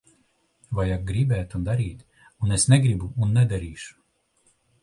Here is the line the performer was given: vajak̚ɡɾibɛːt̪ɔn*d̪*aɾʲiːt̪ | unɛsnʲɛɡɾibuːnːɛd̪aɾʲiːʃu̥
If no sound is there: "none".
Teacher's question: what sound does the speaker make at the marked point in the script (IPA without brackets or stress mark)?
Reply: d̪